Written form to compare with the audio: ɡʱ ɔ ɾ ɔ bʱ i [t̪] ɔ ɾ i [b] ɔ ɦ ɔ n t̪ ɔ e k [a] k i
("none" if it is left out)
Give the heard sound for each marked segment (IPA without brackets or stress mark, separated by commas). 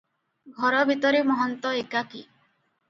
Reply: t̪, m, a